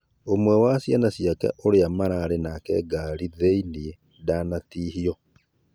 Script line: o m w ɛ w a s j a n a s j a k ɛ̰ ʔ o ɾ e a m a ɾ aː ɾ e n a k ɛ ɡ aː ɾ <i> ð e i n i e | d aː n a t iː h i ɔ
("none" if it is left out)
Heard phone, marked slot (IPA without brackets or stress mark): i